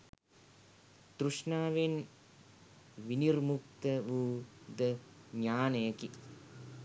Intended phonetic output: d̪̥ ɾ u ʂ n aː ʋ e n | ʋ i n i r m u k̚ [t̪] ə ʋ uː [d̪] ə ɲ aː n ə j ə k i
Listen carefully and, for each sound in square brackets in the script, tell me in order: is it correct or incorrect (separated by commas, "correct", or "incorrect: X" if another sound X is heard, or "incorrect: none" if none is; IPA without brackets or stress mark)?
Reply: correct, correct